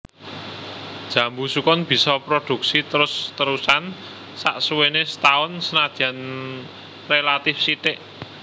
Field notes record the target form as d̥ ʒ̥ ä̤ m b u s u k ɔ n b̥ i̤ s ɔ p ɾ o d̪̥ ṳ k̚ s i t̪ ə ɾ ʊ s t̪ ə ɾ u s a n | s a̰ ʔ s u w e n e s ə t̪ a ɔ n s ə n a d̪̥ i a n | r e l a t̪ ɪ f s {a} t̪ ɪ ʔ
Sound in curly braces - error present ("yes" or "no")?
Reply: yes